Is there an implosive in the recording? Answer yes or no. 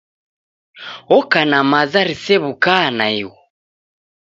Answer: no